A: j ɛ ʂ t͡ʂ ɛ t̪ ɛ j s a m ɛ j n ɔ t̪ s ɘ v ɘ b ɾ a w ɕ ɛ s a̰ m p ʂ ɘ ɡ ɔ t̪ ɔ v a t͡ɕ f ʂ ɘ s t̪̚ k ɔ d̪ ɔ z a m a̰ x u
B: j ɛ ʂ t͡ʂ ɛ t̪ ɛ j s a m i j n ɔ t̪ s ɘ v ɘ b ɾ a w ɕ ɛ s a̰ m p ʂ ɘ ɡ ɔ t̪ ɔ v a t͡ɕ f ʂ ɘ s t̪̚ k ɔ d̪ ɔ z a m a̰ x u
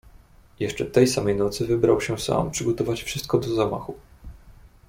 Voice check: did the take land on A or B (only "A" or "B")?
A